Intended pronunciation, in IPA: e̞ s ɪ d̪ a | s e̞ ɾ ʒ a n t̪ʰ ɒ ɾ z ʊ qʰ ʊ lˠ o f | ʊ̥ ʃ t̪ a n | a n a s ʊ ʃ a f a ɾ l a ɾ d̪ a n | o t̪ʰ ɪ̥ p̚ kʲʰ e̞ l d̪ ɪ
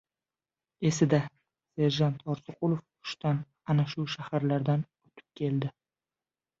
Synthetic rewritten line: e̞ s ɪ d̪ a | s e̞ ɾ ʒ a n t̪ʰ ɒ ɾ s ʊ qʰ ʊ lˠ o f | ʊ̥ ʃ t̪ a n | a n a ʃ ʊ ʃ a h a ɾ l a ɾ d̪ a n | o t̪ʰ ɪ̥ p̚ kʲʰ e̞ l d̪ ɪ